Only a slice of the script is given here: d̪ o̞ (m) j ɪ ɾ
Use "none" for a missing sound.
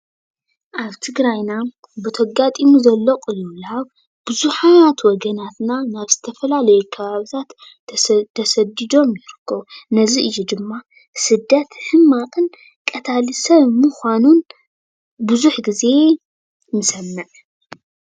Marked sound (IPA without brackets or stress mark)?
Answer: m